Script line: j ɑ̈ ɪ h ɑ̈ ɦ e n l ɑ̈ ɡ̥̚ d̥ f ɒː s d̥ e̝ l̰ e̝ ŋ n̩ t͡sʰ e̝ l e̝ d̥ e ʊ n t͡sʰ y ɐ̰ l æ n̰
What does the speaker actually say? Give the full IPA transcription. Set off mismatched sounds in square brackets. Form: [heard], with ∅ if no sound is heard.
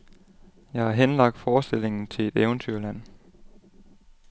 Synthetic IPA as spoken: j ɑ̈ ɪ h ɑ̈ ɦ e n l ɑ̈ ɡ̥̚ d̥ f ɒː s d̥ e̝ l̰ e̝ ŋ n̩ t͡sʰ e̝ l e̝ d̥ e ʊ n t͡sʰ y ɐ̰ l æ n̰